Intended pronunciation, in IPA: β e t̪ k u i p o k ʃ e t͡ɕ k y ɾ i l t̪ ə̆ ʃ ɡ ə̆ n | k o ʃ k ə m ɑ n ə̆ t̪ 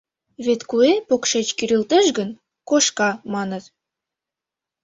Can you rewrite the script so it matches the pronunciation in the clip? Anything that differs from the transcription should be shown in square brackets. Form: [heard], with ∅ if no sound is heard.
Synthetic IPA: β e t̪ k u [e] p o k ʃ e t͡ɕ k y ɾ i l t̪ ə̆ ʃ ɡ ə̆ n | k o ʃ k [ɑ] m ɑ n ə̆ t̪